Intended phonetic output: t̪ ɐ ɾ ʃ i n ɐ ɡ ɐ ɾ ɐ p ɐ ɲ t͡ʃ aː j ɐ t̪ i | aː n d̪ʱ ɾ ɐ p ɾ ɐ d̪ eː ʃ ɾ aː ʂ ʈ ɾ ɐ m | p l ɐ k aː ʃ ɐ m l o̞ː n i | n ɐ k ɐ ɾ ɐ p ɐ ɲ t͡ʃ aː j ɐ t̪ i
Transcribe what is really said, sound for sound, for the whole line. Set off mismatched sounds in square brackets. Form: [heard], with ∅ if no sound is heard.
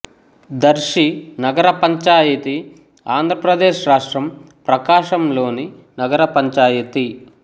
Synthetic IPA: [d̪] ɐ ɾ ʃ i n ɐ ɡ ɐ ɾ ɐ p ɐ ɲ t͡ʃ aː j ɐ t̪ i | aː n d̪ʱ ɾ ɐ p ɾ ɐ d̪ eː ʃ ɾ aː ʂ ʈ ɾ ɐ m | p [ɾ] ɐ k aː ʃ ɐ m l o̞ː n i | n ɐ [ɡ] ɐ ɾ ɐ p ɐ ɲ t͡ʃ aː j ɐ t̪ i